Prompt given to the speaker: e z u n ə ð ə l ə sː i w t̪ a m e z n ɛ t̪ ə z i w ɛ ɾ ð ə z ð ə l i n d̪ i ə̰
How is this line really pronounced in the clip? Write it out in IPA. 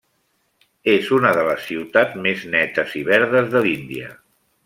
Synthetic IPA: e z u n ə ð ə l ə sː i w t̪ a m e z n ɛ t̪ ə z i β ɛ ɾ ð ə z ð ə l i n d̪ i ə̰

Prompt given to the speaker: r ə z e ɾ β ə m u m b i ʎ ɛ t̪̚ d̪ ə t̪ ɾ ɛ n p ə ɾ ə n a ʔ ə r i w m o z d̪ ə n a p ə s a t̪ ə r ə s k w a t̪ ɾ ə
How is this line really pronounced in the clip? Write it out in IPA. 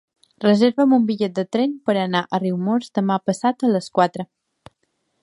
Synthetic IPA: r ə z e ɾ β ə m u m b i ʎ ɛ t̪̚ d̪ ə t̪ ɾ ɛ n p ə ɾ ə n a ʔ ə r i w m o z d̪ ə m a p ə s a t̪ ə l ə s k w a t̪ ɾ ə

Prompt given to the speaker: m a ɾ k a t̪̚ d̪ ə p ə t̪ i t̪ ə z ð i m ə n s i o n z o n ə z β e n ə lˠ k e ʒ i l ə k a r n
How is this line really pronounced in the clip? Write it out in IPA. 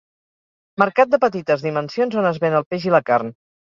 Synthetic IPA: m ə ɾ k a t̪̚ d̪ ə p ə t̪ i t̪ ə z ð i m ə n s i o n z o n ə z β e n ə lˠ p e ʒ i l ə k a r n

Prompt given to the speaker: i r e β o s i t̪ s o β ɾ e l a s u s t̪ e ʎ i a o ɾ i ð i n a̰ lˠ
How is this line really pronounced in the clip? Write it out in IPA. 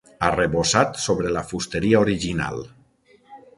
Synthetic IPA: a r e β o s a t̪ s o β ɾ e l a f u s t̪ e ɾ i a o ɾ i ʒ i n a̰ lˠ

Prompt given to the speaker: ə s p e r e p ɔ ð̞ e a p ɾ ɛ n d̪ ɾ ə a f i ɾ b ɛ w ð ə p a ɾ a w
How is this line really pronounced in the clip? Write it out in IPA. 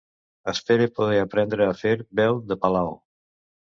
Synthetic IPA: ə s p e ɾ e p o ð̞ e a p ɾ ɛ n d̪ ɾ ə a f e ɾ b ɛ w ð ə p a l a w

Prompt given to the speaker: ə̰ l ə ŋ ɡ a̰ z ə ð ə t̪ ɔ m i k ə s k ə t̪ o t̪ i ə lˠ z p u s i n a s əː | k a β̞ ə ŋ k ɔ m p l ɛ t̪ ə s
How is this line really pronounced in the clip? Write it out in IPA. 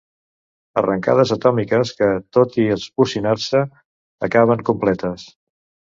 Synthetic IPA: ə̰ r ə ŋ k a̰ ð ə z ə t̪ ɔ m i k ə s k ə t̪ o t̪ i ə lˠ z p u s i n a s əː | k a β̞ ə ŋ k u m p l ɛ t̪ ə s

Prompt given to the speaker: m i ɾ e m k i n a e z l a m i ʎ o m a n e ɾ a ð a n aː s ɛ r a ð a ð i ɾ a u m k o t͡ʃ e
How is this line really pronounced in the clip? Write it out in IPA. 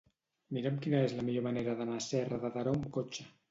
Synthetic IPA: m i ɾ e m k i n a e z l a m i ʎ o m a n e ɾ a ð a n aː s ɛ r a ð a ð a ɾ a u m k o t͡ʃ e

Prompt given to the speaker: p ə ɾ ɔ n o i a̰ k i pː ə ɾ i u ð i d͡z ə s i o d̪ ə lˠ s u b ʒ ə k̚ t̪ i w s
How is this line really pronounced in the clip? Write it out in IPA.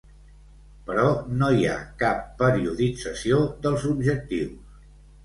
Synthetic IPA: p ə ɾ ɔ n o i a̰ k a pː ə ɾ i u ð i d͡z ə s i o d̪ ə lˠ z u b ʒ ə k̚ t̪ i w s

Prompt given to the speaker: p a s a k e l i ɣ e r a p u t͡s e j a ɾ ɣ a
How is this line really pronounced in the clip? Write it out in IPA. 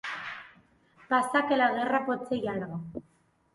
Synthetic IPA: p a s a k e l a ɣ e r a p o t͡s e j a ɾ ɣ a

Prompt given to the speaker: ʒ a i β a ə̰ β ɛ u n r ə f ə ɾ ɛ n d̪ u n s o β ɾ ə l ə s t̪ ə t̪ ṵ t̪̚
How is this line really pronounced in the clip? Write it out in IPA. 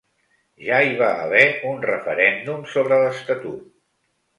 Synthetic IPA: ʒ a i β a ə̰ β ɛ u n r ə f ə ɾ ɛ n d̪ u m s o β ɾ ə l ə s t̪ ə t̪ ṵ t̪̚

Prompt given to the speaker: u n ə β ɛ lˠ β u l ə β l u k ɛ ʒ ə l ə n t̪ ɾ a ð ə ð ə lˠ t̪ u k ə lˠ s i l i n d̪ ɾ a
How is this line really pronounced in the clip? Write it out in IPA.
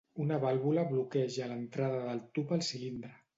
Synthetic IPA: u n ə β a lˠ β u l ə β l u k ɛ ʒ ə l ə n t̪ ɾ a ð ə ð ə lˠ t̪ u p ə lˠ s i l i n d̪ ɾ ə

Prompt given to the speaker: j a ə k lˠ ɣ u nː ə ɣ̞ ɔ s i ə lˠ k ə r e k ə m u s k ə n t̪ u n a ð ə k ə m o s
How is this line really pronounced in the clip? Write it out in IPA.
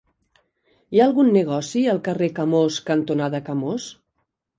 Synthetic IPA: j a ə lˠ ɣ u nː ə ɣ̞ ɔ s i ə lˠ k ə r e k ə m o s k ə n t̪ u n a ð ə k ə m o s

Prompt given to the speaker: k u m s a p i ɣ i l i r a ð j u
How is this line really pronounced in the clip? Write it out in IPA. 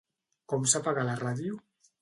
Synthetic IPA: k ɔ m s a p a ɣ a l a r a ð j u

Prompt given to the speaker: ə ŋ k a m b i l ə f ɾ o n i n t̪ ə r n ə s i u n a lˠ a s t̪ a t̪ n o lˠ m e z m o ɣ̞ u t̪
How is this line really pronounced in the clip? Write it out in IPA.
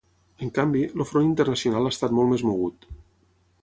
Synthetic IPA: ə ŋ k a m b i l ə f ɾ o n i n t̪ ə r n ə s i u n a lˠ a s t̪ a t̪ m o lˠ m e z m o ɣ̞ u t̪

